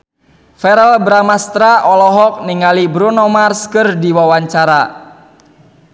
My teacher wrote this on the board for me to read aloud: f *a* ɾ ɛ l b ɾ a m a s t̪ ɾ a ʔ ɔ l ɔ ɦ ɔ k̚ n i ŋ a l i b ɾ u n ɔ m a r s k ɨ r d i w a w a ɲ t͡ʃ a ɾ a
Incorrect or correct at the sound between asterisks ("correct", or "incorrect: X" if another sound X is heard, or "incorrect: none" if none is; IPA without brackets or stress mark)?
incorrect: ɛ